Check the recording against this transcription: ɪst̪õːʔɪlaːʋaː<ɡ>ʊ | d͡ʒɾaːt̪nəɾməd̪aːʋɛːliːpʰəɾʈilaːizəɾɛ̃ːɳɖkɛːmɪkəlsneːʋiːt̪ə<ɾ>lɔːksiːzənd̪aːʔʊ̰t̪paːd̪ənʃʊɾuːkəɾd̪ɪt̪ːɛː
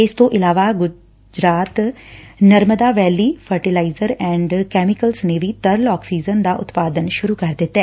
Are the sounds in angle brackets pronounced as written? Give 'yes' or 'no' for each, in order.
yes, yes

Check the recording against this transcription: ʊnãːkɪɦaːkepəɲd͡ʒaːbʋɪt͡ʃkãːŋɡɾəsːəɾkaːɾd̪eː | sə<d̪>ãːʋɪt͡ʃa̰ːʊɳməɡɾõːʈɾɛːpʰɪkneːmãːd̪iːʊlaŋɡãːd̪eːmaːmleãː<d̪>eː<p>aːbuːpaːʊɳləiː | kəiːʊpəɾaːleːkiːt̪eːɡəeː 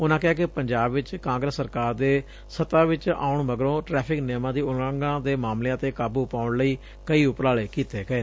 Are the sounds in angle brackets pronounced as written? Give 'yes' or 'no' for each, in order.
no, no, no

